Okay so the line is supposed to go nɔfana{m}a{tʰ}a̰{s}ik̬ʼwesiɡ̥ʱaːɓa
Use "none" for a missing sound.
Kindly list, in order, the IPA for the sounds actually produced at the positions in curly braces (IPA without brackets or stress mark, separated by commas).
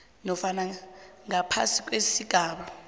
ŋ, pʰ, s